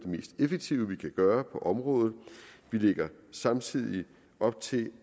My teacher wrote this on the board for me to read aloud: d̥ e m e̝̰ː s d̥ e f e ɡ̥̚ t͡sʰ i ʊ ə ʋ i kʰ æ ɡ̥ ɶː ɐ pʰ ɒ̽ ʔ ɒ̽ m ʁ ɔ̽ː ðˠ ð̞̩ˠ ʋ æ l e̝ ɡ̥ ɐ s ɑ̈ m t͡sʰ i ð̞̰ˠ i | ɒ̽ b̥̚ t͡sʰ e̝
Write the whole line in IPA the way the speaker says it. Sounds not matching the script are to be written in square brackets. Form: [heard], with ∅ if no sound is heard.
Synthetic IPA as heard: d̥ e m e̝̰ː s d̥ e f e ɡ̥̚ t͡sʰ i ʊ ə ʋ i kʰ æ ɡ̥ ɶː ɐ pʰ ɒ̽ ʔ ɒ̽ m ʁ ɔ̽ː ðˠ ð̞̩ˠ ʋ [i] l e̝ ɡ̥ ɐ s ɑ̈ m t͡sʰ i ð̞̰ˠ i | ɒ̽ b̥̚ t͡sʰ e̝